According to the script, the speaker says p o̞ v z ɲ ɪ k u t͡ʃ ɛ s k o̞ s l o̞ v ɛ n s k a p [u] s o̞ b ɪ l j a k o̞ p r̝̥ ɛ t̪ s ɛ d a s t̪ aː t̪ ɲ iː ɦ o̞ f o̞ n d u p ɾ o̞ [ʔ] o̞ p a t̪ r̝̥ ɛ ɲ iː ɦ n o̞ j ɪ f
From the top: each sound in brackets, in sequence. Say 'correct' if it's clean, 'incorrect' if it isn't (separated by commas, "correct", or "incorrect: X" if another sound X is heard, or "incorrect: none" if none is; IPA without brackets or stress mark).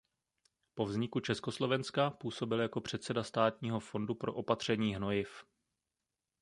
incorrect: uː, correct